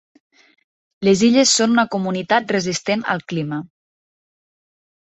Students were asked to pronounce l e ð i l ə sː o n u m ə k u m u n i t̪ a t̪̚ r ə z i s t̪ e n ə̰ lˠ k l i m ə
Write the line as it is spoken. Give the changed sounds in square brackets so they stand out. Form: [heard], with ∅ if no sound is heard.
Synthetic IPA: l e [z] i [ʎ] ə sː o n u [n] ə k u m u n i t̪ a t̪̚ r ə z i s t̪ e n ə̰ lˠ k l i m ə